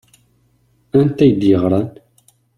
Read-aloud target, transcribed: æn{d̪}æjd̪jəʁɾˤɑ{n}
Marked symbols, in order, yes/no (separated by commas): no, yes